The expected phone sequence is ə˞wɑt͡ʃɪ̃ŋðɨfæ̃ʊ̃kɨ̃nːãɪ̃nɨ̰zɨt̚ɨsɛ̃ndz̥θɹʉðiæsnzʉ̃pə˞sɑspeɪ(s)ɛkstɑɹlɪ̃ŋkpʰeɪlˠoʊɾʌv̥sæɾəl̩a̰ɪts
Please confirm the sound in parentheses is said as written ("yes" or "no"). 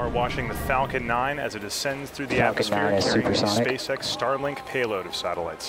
yes